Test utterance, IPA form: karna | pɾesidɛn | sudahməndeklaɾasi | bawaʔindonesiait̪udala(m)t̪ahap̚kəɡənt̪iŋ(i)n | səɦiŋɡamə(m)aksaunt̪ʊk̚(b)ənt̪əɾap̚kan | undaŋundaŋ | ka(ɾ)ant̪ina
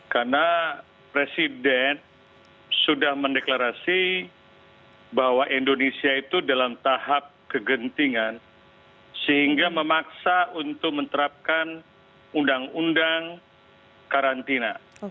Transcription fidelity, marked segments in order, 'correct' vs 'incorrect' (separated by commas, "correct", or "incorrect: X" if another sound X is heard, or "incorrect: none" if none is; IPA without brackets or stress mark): correct, incorrect: a, correct, incorrect: m, correct